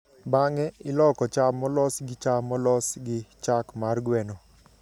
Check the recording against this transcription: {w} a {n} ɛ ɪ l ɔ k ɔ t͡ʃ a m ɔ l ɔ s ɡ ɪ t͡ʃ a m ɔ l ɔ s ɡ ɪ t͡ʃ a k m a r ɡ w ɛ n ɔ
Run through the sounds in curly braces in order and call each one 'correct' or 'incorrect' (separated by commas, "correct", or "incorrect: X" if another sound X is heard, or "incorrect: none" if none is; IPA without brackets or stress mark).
incorrect: b, incorrect: ŋ